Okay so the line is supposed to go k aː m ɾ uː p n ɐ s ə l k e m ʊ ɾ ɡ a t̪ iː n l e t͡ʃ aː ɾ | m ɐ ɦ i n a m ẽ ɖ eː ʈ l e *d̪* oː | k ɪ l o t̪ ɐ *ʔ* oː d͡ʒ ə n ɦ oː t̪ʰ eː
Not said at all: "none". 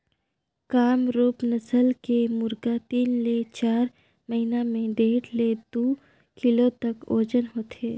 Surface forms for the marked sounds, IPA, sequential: d̪, k

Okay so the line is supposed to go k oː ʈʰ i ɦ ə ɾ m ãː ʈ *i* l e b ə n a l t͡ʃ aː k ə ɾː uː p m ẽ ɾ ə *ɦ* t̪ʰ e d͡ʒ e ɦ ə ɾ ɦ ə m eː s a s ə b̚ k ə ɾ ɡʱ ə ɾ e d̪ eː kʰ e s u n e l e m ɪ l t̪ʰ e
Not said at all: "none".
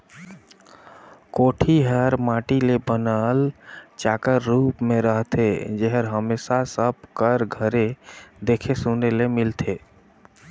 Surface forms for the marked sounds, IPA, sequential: i, ɦ

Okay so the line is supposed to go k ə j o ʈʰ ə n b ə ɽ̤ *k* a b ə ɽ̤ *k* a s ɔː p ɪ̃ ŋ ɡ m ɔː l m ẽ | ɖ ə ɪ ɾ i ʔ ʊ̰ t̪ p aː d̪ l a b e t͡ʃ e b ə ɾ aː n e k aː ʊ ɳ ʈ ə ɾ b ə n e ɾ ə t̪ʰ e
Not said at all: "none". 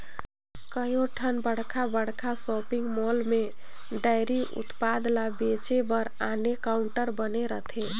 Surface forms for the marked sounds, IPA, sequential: kʰ, kʰ

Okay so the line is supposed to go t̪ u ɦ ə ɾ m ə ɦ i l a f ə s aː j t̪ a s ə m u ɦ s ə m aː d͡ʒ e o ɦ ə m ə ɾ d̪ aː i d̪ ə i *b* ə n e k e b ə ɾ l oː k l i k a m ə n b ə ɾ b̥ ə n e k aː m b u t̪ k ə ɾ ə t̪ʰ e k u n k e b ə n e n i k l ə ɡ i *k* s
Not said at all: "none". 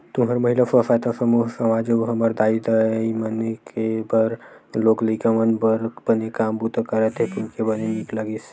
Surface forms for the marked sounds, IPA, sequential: m, none

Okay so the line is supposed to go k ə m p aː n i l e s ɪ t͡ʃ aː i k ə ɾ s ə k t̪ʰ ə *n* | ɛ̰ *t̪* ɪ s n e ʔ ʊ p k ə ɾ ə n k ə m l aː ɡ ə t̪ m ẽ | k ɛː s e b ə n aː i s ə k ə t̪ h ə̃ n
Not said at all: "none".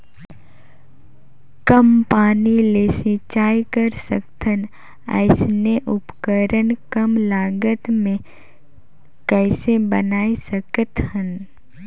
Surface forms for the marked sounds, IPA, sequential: n, none

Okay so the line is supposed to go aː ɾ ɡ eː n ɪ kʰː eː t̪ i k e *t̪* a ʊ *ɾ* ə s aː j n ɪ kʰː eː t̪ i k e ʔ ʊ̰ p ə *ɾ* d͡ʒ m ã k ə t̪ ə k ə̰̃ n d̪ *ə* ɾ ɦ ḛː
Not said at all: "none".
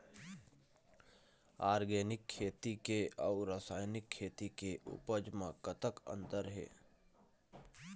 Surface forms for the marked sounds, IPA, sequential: none, ɾ, none, ə

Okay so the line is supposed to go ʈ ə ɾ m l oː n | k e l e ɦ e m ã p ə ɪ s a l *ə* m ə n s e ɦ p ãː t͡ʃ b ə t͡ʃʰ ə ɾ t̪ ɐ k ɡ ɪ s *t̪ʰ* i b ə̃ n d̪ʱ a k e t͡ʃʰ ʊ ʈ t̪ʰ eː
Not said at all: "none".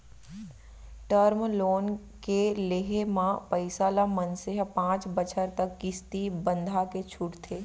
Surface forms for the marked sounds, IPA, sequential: a, t̪

